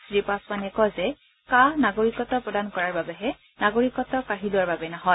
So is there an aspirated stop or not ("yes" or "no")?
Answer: no